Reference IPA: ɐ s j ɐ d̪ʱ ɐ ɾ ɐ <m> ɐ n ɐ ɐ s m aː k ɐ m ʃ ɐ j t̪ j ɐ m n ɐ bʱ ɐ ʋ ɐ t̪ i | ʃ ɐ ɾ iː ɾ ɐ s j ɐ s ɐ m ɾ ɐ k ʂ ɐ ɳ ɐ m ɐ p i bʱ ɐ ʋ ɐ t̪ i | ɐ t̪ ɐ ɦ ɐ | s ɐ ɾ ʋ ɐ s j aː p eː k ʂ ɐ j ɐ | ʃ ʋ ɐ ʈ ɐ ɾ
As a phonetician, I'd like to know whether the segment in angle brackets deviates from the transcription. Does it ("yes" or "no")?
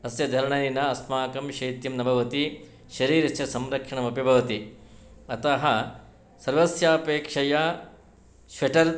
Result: yes